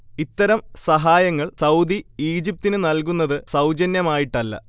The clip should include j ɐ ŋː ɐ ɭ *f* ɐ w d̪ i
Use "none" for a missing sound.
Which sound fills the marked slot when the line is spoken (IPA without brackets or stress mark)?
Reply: s